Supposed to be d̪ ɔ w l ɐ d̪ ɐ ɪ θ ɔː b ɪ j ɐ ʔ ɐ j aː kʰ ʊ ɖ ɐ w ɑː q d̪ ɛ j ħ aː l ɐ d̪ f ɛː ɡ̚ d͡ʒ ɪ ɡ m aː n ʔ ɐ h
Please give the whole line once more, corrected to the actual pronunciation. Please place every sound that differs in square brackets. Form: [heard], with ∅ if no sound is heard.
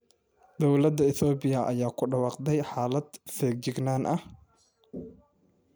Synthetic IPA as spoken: d̪ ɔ w l ɐ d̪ ɐ ɪ θ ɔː b ɪ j ɐ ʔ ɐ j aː kʰ ʊ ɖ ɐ w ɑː q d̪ ɛ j ħ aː l ɐ d̪ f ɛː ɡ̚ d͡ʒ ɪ ɡ [n] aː n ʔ ɐ h

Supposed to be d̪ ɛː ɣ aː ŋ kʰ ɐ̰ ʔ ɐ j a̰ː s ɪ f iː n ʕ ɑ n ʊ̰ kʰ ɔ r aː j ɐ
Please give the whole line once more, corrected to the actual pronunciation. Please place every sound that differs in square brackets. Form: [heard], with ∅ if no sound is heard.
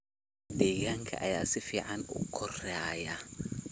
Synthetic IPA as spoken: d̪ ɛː ɣ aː ŋ kʰ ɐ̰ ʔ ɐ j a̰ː s ɪ f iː [∅] ʕ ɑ n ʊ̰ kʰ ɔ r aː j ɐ

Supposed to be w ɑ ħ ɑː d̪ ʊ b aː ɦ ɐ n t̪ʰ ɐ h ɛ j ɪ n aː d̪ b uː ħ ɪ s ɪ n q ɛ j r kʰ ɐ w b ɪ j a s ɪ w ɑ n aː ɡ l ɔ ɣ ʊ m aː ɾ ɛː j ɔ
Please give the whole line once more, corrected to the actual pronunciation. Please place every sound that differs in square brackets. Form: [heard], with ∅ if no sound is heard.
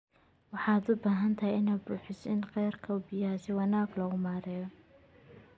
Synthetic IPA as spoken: w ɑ ħ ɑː d̪ ʊ b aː ɦ ɐ n t̪ʰ ɐ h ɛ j ɪ n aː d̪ b uː ħ ɪ s ɪ n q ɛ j r kʰ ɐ w b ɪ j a s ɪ w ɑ n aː ɡ l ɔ ɣ ʊ m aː ɾ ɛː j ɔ

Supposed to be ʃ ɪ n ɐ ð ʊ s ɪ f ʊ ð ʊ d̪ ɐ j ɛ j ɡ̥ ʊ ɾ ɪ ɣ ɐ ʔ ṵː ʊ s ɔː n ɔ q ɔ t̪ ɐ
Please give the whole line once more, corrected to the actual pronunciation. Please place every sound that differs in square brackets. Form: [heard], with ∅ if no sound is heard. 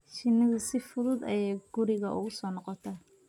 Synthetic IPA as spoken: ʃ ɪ n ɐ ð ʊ s ɪ f ʊ ð ʊ d̪ ɐ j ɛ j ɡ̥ ʊ ɾ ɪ ɣ ɐ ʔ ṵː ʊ s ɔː n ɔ q ɔ [t̪ʰ] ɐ

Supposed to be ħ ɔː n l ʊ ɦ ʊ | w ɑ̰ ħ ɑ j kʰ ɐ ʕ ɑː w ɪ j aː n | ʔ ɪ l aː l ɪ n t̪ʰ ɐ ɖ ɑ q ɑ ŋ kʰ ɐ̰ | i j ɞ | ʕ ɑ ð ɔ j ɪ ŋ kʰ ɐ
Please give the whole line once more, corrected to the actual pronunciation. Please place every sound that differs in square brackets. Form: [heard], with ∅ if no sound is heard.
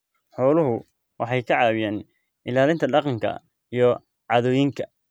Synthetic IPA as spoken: ħ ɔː [∅] l ʊ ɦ ʊ | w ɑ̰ ħ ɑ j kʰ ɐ ʕ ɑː w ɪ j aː n | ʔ ɪ l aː l ɪ n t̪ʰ ɐ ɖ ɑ q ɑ ŋ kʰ ɐ̰ | i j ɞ | ʕ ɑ ð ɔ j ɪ ŋ kʰ ɐ

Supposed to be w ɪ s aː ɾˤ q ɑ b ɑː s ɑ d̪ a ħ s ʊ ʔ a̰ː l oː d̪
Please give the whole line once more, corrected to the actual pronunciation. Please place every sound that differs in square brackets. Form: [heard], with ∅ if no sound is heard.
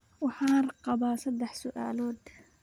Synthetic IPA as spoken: w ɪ [ħ] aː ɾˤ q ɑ b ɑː s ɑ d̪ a ħ s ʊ ʔ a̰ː l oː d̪

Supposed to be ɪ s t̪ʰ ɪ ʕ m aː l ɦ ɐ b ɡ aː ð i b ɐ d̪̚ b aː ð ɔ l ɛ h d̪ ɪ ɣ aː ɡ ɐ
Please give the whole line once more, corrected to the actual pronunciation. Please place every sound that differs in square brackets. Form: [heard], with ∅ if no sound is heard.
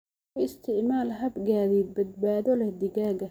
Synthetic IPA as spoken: ɪ s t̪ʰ ɪ ʕ m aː l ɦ ɐ b ɡ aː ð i b ɐ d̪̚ b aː ð ɔ l ɛ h d̪ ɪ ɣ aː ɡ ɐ

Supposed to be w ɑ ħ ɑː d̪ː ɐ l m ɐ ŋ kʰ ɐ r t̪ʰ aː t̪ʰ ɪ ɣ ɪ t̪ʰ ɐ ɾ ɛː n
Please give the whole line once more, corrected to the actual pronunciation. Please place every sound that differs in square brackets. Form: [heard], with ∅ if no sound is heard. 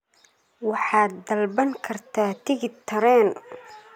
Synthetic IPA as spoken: w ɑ ħ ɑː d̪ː ɐ l [b] ɐ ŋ kʰ ɐ r t̪ʰ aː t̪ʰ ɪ ɣ ɪ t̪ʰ ɐ ɾ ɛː n

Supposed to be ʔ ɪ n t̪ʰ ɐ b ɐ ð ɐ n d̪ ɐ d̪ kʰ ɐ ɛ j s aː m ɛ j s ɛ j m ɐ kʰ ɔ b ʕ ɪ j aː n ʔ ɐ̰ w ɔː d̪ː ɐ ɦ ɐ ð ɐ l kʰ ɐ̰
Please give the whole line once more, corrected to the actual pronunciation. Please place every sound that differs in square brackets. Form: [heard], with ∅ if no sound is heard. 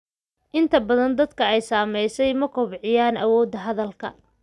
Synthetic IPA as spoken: ʔ ɪ n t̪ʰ ɐ b ɐ ð ɐ n d̪ ɐ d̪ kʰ ɐ ɛ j s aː m ɛ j s ɛ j m ɐ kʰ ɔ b ʕ ɪ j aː n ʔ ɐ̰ w ɔː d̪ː ɐ ɦ ɐ ð ɐ l kʰ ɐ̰

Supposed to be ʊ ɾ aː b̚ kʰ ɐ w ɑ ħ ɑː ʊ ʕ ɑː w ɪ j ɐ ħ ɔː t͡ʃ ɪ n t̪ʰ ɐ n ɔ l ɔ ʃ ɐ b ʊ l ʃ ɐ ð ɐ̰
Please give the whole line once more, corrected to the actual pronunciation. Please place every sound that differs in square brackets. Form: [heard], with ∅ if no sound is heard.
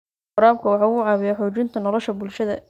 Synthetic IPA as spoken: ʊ ɾ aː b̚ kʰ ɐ w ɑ ħ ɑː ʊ ʕ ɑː [β] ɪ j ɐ ħ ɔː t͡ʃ ɪ n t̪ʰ ɐ n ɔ l ɔ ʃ ɐ b ʊ l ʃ ɐ ð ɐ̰

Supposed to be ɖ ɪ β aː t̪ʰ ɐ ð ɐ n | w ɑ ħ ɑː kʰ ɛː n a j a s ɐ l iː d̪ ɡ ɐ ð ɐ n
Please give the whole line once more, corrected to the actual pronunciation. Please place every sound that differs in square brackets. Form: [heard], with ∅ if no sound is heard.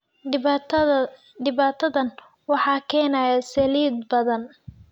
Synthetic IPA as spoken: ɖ ɪ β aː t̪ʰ ɐ ð ɐ n | w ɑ ħ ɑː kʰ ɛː n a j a s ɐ l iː d̪ [b] ɐ ð ɐ n

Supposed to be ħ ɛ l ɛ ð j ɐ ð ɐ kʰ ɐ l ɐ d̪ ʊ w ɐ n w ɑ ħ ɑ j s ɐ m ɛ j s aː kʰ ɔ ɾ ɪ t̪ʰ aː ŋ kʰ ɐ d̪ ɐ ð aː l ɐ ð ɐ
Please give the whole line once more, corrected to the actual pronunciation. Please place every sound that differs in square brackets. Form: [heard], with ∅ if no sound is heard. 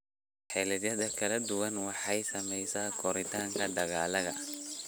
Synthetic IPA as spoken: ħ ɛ l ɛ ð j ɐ ð ɐ kʰ ɐ l ɐ d̪ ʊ w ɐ n w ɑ ħ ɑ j s ɐ m ɛ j s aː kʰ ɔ ɾ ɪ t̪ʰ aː ŋ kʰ ɐ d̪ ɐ [ɣ] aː l ɐ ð ɐ

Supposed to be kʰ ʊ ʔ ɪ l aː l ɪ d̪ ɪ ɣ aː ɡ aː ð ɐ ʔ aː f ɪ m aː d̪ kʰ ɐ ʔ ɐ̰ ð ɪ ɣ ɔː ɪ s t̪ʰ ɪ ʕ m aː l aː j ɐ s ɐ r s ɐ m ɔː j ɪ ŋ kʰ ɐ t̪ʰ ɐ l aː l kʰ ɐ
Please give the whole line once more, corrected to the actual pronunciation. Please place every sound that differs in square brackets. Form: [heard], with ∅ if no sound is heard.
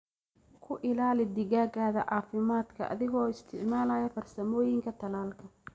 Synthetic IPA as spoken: kʰ ʊ ʔ ɪ l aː l ɪ d̪ ɪ ɣ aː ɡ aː ð ɐ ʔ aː f ɪ m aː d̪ kʰ ɐ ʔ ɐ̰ ð ɪ ɣ ɔː ɪ s t̪ʰ ɪ ʕ m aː l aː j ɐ [f] ɐ r s ɐ m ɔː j ɪ ŋ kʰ ɐ t̪ʰ ɐ l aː l kʰ ɐ

